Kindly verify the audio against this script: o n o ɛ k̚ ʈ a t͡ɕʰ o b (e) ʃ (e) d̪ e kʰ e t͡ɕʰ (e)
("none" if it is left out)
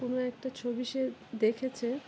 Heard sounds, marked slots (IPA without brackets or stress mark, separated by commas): i, e, e